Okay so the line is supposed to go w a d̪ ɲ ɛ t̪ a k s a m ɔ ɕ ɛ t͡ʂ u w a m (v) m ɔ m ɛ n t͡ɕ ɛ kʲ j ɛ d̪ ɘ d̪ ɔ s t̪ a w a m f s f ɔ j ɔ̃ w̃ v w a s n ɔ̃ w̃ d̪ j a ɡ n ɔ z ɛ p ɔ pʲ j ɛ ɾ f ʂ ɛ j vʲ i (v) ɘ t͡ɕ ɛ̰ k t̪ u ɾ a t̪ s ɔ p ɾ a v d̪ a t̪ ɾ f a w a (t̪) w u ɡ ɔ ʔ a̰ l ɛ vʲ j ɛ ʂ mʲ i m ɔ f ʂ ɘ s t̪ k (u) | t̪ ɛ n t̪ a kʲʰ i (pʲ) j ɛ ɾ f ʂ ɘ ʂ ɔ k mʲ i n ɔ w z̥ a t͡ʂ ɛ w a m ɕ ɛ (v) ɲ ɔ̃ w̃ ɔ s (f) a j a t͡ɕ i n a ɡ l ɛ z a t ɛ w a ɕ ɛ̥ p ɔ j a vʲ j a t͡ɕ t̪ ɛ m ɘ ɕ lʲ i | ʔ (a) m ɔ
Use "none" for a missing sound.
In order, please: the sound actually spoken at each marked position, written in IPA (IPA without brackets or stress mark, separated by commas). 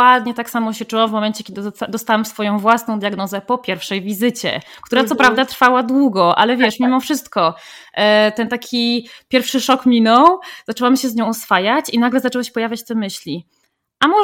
v, z, d̪, ɔ, pʲ, z, f, a